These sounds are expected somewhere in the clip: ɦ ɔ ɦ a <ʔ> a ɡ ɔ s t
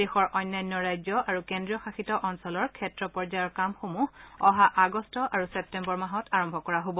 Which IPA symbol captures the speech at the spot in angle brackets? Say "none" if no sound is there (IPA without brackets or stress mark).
ʔ